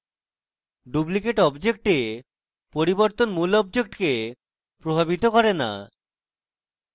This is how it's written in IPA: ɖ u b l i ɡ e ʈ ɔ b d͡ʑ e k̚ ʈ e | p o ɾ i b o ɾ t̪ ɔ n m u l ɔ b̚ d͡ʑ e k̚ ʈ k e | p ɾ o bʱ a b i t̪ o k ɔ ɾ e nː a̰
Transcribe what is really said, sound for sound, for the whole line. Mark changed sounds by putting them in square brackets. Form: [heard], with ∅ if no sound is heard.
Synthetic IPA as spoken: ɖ u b l i [k] e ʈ ɔ b d͡ʑ e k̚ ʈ e | p o ɾ i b o ɾ t̪ [o] n m u l ɔ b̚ d͡ʑ e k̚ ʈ k e | p ɾ o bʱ a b i t̪ o k ɔ ɾ e [n] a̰